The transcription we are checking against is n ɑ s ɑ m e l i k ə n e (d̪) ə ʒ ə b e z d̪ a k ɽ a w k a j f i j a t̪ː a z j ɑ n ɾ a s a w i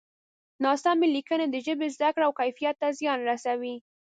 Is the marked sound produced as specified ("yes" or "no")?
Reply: yes